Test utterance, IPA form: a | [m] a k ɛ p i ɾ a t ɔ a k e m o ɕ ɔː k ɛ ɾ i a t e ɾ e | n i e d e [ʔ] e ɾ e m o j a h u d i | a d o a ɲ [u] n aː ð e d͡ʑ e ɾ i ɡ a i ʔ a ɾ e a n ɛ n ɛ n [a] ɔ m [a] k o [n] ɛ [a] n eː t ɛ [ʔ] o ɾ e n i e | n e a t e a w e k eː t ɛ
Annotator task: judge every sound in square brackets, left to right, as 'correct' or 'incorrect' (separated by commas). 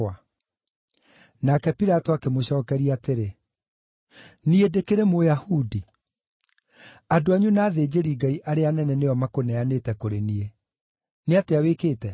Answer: incorrect, incorrect, correct, incorrect, correct, correct, correct, incorrect